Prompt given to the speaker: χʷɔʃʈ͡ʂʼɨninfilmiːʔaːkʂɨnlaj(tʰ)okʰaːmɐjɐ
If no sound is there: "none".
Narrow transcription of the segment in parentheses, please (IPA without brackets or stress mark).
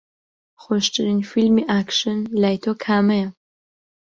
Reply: tʰ